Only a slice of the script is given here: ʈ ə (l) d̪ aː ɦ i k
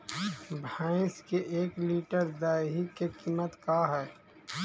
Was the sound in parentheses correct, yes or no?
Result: no